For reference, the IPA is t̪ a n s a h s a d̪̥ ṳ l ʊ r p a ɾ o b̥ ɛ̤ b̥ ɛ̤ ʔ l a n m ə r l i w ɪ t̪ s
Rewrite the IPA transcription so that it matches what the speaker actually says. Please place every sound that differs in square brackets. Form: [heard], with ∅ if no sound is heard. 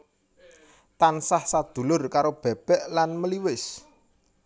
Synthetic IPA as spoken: t̪ a n s a h s a d̪̥ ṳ l ʊ r [k] a ɾ o b̥ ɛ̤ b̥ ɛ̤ ʔ l a n m ə [∅] l i w ɪ [∅] s